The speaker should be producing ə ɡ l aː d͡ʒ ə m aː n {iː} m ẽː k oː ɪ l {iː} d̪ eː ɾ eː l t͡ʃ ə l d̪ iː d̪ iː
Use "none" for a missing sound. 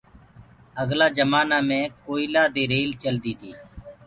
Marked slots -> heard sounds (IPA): aː, aː

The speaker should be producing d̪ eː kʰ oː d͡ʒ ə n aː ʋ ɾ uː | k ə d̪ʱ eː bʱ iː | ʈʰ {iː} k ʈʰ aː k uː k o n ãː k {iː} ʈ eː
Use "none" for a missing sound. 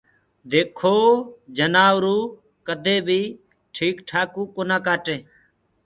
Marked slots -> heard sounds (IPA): iː, aː

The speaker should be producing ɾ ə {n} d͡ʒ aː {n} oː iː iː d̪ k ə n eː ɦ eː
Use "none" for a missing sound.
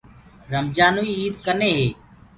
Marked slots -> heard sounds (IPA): m, n

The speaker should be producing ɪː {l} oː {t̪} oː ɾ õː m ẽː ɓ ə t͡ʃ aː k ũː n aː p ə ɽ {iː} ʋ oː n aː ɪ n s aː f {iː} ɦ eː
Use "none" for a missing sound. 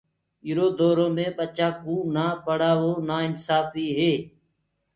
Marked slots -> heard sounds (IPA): ɾ, d̪, aː, iː

